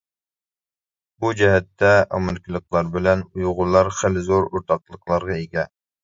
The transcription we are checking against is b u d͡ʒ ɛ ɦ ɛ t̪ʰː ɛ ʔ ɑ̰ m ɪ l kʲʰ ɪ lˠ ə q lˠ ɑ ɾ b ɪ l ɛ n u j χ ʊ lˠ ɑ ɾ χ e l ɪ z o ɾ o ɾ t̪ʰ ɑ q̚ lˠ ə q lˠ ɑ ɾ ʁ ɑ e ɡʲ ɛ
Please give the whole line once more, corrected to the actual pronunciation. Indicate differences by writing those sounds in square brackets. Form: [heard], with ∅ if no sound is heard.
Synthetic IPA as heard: b u d͡ʒ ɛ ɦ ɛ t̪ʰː ɛ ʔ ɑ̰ m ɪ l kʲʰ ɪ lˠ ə q lˠ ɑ ɾ b ɪ l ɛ n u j [ʁ] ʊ lˠ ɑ ɾ χ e l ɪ z o ɾ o ɾ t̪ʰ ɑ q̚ lˠ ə q lˠ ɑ ɾ ʁ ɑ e ɡʲ ɛ